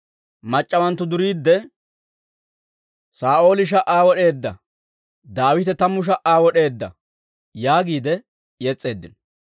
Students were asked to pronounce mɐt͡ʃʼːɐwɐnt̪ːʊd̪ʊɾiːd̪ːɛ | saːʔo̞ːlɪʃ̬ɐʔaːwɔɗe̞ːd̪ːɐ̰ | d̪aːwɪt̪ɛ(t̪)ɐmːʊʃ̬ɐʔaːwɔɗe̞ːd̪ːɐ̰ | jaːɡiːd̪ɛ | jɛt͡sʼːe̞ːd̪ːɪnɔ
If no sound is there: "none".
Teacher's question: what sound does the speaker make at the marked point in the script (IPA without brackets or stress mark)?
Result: t̪